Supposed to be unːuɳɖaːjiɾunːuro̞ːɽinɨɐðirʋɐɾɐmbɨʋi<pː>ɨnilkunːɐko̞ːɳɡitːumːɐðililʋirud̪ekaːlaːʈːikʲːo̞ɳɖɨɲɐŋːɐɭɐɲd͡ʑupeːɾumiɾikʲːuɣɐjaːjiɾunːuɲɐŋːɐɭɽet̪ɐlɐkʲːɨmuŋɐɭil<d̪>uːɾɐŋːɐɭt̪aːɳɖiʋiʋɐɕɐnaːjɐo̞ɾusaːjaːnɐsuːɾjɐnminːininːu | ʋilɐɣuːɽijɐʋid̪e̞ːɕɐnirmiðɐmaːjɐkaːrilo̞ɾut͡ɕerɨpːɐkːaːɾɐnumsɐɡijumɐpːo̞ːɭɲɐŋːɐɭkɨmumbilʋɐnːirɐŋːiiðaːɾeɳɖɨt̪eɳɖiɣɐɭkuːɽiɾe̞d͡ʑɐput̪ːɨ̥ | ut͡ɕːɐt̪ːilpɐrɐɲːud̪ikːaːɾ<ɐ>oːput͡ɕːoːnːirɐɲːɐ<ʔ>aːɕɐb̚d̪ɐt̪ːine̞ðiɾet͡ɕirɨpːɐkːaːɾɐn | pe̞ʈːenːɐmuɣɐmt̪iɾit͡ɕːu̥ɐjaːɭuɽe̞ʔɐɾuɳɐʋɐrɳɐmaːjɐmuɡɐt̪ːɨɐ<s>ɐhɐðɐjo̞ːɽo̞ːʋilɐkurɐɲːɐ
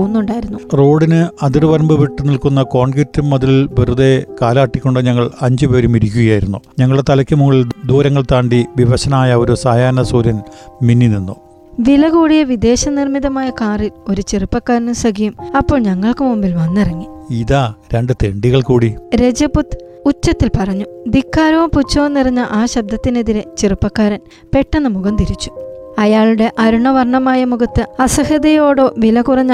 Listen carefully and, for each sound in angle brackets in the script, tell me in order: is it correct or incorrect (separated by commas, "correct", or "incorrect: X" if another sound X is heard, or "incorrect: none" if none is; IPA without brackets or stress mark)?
incorrect: ʈː, correct, correct, correct, correct